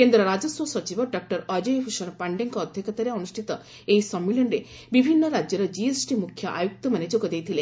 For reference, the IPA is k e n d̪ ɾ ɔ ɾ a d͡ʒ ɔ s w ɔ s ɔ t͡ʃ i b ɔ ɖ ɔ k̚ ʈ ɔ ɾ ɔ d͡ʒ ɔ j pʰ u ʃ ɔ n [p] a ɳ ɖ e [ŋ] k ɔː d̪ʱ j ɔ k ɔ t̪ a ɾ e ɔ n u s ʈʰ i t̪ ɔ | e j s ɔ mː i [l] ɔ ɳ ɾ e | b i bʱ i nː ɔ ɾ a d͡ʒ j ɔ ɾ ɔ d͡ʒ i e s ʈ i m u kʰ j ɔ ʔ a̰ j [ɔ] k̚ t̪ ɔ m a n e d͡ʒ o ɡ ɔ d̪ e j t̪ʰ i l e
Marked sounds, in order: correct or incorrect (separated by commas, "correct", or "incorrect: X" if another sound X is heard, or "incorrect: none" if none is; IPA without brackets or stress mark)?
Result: correct, correct, correct, incorrect: u